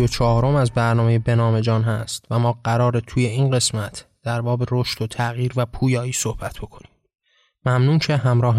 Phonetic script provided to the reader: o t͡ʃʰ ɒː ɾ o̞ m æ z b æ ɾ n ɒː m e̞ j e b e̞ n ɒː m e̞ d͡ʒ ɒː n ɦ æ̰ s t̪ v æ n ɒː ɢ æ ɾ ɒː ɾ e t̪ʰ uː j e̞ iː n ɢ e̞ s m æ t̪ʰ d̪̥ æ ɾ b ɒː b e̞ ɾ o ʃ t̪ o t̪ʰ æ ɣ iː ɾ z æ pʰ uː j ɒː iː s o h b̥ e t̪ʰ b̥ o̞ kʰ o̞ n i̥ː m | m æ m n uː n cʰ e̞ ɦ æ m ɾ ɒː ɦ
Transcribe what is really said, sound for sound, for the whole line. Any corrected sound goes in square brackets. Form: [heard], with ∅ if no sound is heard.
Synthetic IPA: o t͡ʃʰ ɒː ɾ o̞ m æ z b æ ɾ n ɒː m e̞ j e b e̞ n ɒː m e̞ d͡ʒ ɒː n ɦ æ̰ s t̪ v æ [m] ɒː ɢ æ ɾ ɒː ɾ e t̪ʰ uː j e̞ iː n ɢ e̞ s m æ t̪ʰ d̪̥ æ ɾ b ɒː b e̞ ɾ o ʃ t̪ o t̪ʰ æ ɣ iː ɾ [v] æ pʰ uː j ɒː iː s o h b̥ [æ] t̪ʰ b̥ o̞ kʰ o̞ n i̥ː m | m æ m n uː n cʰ e̞ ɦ æ m ɾ ɒː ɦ